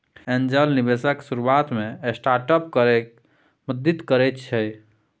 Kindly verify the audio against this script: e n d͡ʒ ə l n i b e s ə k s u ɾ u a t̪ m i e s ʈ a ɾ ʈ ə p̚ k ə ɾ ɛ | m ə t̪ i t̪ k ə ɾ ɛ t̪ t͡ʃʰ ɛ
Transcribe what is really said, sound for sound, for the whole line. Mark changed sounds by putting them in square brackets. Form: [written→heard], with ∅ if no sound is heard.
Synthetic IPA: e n d͡ʒ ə l n i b e s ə k s u ɾ u a t̪ m [i→e] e s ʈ a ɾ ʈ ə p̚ k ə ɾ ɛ | m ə [t̪→d̪] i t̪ k ə ɾ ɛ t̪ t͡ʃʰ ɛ

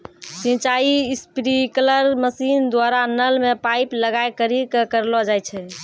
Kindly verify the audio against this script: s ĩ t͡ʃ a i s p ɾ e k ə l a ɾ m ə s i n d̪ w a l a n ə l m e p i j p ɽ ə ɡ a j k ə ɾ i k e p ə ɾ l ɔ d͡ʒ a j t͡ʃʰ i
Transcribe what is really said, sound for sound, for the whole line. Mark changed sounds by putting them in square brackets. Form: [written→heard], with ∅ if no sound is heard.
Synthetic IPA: s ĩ t͡ʃ a i s p ɾ [e→i] k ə l [a→ə] ɾ m ə s i n d̪ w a [l→ɾ] a n ə l m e p [i→a] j p [ɽ→l] ə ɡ a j k ə ɾ i k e [p→k] ə ɾ l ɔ d͡ʒ a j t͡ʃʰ [i→ɛ]

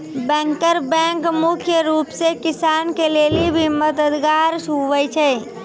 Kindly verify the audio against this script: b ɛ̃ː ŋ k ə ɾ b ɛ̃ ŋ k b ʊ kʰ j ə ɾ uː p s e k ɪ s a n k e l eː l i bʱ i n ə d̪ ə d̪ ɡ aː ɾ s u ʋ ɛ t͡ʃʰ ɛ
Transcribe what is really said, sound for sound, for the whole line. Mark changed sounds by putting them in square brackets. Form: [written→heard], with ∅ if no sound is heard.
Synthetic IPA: b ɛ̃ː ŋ k ə ɾ b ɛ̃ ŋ k [b→m] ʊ kʰ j ə ɾ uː p s e k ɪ s a n k e l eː l i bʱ i [n→m] ə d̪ ə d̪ ɡ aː ɾ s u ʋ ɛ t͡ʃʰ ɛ

